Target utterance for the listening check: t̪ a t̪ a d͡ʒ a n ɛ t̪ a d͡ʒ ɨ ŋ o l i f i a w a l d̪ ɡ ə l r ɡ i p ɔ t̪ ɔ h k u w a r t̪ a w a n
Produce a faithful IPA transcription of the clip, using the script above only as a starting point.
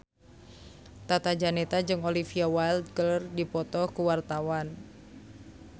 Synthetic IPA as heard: t̪ a t̪ a d͡ʒ a n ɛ t̪ a d͡ʒ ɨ ŋ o l i f i a w a l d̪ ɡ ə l r d i p ɔ t̪ ɔ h k u w a r t̪ a w a n